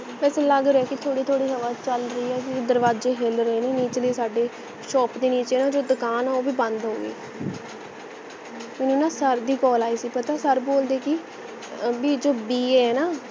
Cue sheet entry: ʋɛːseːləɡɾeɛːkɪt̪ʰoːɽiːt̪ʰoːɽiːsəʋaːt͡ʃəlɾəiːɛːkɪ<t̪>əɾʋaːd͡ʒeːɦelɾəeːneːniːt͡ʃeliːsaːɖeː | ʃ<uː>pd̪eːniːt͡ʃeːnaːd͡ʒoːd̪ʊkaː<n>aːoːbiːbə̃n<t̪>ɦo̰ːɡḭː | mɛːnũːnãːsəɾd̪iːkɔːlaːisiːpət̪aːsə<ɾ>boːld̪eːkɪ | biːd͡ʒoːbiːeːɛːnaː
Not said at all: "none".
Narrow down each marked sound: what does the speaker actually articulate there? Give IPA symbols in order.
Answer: d̪, ɔː, n, d̪, ɾ

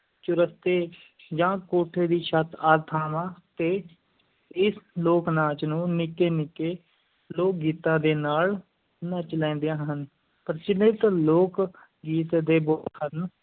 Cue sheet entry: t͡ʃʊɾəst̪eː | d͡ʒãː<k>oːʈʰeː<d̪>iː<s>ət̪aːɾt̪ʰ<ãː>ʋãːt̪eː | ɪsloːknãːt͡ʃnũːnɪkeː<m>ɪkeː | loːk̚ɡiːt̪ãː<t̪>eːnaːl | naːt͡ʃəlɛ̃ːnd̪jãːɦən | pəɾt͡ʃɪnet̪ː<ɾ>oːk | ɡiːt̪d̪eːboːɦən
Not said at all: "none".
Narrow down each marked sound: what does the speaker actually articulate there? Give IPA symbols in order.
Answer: k, d̪, ʃ, aː, n, d̪, l

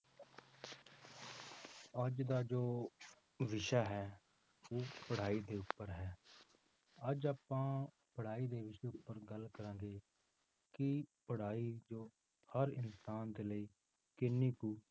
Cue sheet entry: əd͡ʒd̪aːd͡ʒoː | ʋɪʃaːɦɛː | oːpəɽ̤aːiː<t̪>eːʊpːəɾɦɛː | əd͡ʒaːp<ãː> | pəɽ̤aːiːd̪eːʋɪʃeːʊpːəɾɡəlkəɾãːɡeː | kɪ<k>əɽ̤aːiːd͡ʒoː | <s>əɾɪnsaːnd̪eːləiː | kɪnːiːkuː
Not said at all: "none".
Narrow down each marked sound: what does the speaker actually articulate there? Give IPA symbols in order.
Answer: d̪, ãː, p, h

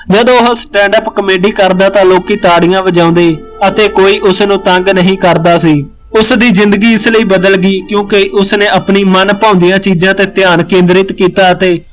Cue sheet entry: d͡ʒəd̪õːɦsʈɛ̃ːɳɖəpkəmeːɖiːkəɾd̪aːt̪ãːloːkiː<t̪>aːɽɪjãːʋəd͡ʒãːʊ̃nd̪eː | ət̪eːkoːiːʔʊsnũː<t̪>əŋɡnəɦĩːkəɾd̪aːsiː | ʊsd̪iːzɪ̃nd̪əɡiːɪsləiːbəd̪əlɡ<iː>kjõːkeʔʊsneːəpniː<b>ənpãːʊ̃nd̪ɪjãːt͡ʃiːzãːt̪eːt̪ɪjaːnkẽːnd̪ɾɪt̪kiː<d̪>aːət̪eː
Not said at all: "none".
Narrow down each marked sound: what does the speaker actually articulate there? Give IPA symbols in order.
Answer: t̪, t̪, iː, m, t̪

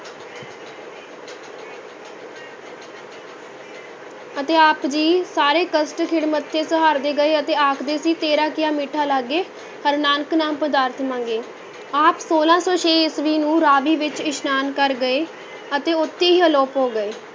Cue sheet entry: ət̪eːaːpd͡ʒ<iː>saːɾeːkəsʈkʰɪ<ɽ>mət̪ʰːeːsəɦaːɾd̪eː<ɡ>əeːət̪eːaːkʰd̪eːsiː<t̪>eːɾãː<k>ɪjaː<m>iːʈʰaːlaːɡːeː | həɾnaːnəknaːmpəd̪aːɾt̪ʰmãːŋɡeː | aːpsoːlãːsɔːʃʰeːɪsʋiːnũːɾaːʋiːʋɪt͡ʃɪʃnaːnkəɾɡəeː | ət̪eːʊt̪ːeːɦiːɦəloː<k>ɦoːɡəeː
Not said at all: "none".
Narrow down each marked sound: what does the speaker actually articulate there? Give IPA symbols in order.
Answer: iː, ɽ, ɡ, t̪, k, m, p

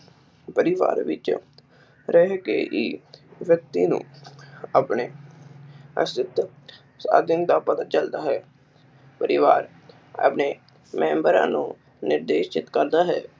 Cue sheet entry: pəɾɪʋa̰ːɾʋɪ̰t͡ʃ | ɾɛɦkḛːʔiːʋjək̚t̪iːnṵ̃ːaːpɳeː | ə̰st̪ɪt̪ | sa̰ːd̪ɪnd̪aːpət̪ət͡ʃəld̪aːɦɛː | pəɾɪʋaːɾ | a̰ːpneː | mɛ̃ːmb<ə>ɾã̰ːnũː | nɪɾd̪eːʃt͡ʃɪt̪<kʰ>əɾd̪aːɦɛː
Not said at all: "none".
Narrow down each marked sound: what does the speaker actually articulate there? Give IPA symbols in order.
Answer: ə, k

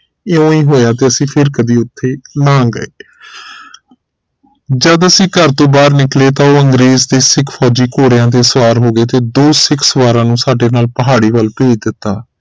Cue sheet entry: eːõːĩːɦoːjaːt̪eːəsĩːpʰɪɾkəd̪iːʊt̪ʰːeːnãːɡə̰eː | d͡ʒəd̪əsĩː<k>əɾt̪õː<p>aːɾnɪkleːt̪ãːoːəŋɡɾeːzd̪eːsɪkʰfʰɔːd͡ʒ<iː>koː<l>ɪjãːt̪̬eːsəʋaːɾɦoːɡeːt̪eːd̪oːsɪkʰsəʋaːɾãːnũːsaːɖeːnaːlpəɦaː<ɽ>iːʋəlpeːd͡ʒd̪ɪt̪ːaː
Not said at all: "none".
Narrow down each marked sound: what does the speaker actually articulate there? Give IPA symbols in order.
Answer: k, b, iː, ɽ, ɽ

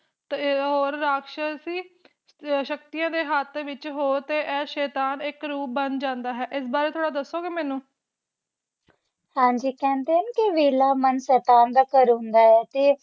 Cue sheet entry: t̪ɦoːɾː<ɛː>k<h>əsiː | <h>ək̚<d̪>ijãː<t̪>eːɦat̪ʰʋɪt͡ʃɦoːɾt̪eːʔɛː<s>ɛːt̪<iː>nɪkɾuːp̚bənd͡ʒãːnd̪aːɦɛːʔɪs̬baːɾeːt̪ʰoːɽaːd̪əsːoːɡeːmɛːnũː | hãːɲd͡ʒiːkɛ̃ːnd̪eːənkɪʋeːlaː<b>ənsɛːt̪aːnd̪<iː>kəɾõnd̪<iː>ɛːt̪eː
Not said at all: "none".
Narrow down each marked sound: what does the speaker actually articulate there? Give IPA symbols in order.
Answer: aː, ʃ, ʃ, t̪, d̪, ʃ, aː, m, aː, aː

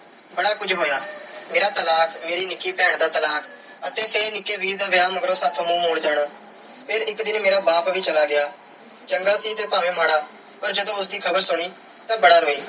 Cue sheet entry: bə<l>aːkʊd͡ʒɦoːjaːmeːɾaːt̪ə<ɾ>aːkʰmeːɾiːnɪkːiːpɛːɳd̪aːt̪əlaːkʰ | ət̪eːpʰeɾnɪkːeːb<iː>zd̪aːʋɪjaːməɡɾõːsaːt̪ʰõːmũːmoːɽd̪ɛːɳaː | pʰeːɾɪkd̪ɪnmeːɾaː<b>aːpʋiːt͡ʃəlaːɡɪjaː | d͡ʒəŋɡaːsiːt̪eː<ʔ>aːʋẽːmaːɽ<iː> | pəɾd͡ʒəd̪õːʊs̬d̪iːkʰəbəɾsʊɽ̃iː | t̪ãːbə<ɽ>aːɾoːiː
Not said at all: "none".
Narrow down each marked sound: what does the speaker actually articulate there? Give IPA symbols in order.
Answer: ɽ, l, iː, b, p, aː, ɽ

